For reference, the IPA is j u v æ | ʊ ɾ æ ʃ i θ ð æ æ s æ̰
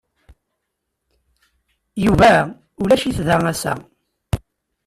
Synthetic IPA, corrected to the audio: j u v æ | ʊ l æ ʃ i θ ð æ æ s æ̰